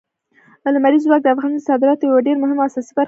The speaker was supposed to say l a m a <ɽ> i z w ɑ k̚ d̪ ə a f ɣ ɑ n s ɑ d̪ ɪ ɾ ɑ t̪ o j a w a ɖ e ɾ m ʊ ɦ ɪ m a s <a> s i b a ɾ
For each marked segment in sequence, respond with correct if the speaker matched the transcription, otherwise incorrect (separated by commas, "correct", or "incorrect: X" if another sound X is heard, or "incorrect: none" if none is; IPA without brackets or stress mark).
incorrect: ɾ, incorrect: ɑ